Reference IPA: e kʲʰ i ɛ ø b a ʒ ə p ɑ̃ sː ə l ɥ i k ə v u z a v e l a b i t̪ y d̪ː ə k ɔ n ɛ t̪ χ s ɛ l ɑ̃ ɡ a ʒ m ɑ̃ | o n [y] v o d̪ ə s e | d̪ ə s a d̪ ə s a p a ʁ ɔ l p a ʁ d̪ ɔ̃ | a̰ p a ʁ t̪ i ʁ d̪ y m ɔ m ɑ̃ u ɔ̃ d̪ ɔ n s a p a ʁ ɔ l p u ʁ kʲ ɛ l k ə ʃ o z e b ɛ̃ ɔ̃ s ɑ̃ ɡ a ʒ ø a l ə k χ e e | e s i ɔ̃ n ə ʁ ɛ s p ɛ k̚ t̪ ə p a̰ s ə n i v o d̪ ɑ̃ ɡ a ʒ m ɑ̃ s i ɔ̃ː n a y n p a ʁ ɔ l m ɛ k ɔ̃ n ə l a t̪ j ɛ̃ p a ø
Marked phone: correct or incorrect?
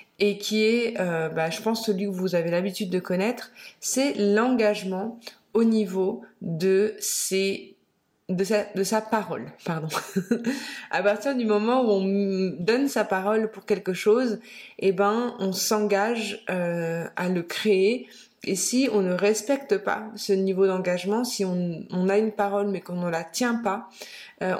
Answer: incorrect